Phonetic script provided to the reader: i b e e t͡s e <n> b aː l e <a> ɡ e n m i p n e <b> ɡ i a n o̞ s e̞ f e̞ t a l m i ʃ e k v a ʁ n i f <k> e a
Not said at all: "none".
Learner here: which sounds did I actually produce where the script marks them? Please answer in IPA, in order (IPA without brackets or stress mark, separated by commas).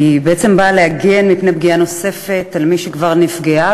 m, a, b, ɡ